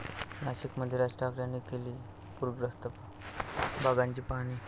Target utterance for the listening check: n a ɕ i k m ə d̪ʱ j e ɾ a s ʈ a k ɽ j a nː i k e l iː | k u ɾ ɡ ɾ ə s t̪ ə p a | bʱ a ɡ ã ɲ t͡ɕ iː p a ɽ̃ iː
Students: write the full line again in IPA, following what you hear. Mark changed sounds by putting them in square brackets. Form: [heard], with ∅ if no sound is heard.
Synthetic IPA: n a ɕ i k m ə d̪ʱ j e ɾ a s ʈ a k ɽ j a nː i k e l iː | [p] u ɾ ɡ ɾ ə s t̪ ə p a | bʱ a ɡ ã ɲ t͡ɕ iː p a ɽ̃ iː